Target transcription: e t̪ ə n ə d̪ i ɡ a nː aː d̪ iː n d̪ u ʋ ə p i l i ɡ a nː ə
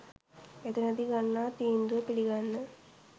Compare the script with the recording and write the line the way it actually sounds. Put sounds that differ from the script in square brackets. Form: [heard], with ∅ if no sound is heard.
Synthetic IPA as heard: e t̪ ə n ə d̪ i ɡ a nː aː [t̪] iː n d̪ u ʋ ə p i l i ɡ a nː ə